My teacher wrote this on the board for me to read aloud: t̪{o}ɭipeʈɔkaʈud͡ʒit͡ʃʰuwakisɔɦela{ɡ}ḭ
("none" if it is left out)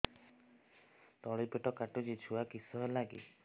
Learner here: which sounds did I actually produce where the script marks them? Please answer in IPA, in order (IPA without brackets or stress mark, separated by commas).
ɔ, ɡ